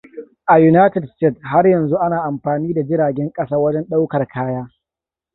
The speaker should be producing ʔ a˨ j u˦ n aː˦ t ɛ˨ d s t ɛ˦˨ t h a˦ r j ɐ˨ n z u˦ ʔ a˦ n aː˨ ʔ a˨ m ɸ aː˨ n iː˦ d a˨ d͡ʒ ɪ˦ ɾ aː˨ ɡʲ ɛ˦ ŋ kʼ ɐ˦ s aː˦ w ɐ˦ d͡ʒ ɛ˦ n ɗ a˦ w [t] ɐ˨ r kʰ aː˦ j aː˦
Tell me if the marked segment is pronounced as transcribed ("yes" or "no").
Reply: no